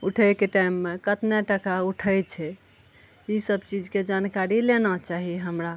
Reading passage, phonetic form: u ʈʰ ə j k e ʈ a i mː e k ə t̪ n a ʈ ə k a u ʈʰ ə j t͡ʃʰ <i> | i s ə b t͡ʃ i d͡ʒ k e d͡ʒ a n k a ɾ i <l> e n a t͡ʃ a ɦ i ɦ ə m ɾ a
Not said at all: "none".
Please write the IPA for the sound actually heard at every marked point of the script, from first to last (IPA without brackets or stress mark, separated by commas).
ɛ, l